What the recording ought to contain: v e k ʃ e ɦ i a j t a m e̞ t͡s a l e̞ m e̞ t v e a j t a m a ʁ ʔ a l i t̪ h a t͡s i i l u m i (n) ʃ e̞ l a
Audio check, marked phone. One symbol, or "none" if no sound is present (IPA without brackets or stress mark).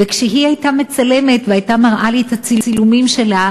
m